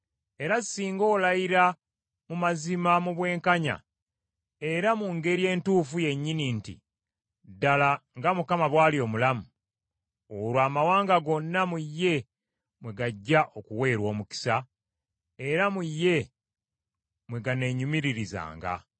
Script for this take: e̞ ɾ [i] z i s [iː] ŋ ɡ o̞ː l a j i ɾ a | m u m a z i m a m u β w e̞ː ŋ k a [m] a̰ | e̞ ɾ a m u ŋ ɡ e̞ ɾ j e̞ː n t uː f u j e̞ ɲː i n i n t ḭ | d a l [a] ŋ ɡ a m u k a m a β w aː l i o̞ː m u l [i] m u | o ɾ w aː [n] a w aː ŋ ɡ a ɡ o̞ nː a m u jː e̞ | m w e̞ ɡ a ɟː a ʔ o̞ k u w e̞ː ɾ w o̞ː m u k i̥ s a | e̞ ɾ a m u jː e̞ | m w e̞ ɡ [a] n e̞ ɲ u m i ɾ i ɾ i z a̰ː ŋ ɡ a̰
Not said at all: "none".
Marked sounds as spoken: a, iː, ɲ, a, a, m, a

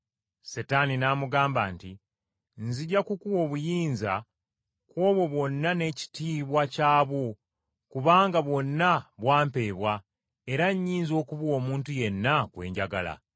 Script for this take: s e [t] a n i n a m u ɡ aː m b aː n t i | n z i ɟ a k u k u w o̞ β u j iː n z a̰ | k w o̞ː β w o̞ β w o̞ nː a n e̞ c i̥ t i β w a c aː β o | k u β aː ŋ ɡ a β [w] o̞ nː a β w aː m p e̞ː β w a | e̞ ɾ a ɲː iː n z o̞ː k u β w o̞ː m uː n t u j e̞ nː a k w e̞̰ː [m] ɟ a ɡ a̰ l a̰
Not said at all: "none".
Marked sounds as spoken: t, w, ɲ

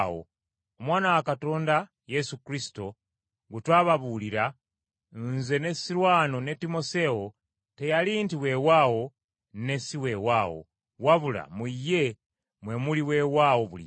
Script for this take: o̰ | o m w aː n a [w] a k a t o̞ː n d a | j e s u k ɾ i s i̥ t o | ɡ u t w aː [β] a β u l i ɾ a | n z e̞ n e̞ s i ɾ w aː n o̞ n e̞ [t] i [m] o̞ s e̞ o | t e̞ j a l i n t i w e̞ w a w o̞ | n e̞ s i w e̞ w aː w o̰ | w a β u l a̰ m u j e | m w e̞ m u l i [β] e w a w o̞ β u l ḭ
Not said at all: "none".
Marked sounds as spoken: w, β, t, m, w

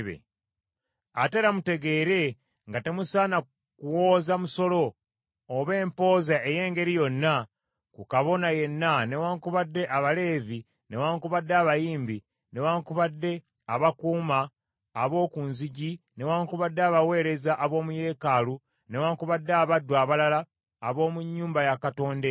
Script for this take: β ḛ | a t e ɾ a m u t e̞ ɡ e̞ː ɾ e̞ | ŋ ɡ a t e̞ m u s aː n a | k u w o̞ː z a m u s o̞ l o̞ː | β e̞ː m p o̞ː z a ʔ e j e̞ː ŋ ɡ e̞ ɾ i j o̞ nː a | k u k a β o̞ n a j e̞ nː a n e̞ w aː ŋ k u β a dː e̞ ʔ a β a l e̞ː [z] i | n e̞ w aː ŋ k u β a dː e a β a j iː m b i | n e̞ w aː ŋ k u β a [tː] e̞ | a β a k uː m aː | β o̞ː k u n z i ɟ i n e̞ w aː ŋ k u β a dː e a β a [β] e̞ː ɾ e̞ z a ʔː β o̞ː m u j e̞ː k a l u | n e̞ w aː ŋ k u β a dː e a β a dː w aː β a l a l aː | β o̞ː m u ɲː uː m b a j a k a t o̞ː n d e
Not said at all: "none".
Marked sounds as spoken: v, dː, w

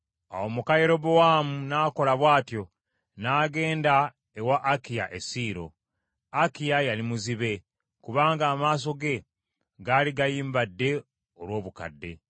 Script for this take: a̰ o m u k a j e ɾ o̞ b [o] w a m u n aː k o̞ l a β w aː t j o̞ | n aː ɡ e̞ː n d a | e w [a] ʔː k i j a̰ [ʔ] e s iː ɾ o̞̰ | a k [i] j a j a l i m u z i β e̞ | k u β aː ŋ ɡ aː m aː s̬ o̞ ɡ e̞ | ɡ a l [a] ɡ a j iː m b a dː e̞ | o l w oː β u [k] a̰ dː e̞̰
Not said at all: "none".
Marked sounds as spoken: o, a, ʔ, i, i, k

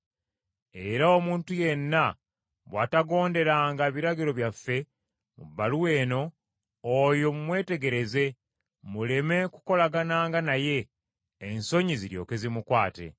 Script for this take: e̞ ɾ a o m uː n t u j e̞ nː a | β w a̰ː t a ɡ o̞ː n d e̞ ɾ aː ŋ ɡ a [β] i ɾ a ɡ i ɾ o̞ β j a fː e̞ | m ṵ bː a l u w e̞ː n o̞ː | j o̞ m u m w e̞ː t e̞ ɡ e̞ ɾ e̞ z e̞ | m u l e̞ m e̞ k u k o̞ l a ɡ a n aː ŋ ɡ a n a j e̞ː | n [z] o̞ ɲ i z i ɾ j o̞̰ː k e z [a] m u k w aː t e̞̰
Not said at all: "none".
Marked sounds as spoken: β, s, i

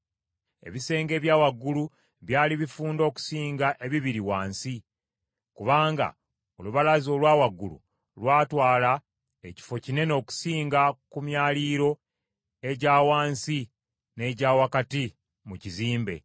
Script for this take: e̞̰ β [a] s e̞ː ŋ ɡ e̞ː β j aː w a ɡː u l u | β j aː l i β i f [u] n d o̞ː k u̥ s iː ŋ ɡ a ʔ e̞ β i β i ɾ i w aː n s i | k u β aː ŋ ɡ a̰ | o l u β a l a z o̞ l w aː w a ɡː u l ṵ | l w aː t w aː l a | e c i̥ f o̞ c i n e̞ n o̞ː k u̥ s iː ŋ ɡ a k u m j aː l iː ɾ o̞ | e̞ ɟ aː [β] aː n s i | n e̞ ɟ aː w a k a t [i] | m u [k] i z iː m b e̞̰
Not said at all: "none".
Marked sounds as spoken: i, uː, w, i, c

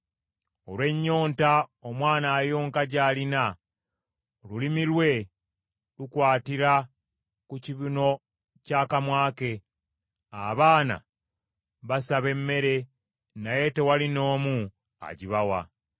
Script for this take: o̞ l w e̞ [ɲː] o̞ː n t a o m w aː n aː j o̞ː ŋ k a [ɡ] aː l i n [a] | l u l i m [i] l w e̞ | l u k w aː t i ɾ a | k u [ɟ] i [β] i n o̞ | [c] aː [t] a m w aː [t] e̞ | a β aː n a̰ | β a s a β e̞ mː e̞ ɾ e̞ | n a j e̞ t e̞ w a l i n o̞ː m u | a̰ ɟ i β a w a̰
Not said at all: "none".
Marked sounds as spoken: ɲː, ɟ, a, i, c, β, c, k, k

